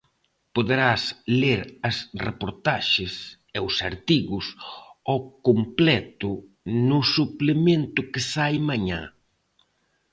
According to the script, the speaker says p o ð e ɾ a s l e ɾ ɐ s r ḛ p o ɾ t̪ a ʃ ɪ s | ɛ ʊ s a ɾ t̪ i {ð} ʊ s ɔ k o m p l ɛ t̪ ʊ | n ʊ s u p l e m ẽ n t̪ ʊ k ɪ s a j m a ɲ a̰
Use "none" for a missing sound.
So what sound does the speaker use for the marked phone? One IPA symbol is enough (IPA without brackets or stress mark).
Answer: ɣ